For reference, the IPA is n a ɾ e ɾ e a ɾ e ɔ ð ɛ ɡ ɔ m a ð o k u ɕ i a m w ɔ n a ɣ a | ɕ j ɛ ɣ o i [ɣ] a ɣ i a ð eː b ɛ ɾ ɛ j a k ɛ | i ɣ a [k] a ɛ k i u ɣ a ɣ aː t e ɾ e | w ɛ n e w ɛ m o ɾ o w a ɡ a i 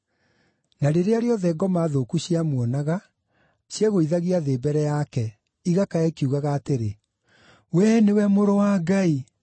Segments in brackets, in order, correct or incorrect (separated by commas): incorrect, correct